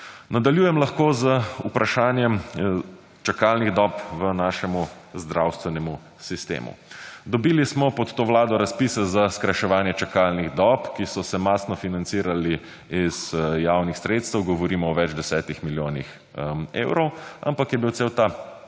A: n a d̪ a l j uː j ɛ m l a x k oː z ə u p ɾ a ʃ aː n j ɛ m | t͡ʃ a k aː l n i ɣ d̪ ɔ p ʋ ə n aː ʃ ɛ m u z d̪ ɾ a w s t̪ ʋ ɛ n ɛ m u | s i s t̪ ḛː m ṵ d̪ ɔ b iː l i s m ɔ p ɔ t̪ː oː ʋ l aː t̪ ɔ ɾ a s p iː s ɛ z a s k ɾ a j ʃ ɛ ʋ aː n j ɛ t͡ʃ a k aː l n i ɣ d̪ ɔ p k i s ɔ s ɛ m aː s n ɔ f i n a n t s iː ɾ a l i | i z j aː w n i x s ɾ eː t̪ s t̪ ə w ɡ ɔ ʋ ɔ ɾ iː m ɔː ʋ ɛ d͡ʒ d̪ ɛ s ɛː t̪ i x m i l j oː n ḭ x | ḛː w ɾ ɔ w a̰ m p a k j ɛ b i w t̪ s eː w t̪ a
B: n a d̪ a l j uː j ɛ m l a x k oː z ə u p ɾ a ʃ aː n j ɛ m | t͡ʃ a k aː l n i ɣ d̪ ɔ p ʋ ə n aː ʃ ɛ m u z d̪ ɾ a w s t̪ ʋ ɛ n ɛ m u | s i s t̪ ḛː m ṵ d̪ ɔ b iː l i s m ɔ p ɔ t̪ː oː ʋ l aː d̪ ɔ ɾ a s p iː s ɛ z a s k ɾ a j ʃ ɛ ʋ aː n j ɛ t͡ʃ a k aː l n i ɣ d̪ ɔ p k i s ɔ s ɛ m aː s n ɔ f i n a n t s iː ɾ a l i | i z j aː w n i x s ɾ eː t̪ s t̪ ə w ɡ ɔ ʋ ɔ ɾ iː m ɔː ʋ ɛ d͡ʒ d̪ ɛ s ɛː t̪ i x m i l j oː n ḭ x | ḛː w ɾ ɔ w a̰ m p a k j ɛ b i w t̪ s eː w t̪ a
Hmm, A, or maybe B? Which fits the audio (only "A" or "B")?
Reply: B